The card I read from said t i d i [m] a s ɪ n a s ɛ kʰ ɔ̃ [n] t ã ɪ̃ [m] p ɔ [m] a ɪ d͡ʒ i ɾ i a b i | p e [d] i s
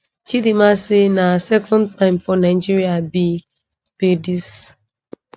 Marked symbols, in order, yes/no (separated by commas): yes, yes, yes, no, yes